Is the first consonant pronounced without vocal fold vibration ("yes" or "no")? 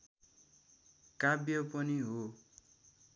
yes